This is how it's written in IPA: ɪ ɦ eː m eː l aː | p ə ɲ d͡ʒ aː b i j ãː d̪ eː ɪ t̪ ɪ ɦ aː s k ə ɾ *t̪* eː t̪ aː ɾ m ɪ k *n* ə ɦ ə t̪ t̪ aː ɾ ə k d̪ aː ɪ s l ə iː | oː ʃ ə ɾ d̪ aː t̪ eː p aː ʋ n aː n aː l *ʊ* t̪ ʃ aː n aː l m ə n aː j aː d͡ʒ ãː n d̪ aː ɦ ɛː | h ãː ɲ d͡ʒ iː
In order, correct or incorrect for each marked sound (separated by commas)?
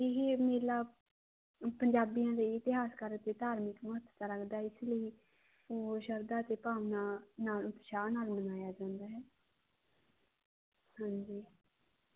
correct, incorrect, correct